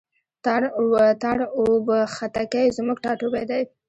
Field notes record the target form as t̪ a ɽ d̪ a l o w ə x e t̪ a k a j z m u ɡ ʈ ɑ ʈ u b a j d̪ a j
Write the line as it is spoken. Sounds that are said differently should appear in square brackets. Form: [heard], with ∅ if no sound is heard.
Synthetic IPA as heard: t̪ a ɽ [t̪] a [ɽ] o [b] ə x [a] t̪ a k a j z m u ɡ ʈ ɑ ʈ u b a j d̪ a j